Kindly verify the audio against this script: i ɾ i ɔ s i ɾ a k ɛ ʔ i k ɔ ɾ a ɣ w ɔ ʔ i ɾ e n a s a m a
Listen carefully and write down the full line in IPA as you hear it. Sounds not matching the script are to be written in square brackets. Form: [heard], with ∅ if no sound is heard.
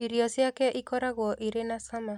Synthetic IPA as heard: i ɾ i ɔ s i [∅] a k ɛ ʔ i k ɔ ɾ a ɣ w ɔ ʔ i ɾ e n a s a m a